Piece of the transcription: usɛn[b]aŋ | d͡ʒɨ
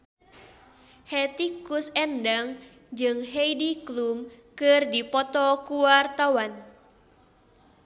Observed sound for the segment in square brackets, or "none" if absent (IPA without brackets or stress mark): d